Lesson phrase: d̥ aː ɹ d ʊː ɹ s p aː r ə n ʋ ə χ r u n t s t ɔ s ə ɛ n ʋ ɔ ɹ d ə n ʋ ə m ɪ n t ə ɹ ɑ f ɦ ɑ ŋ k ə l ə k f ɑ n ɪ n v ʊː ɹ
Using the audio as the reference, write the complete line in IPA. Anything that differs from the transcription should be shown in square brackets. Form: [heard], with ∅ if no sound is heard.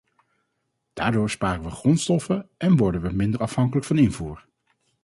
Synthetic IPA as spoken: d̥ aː ɹ d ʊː ɹ s p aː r ə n ʋ ə χ r [ɔ] n t s t ɔ [f] ə ɛ n ʋ ɔ ɹ d ə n ʋ ə m ɪ n [d] ə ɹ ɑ f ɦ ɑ ŋ k ə l ə k f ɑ n ɪ n v [uː] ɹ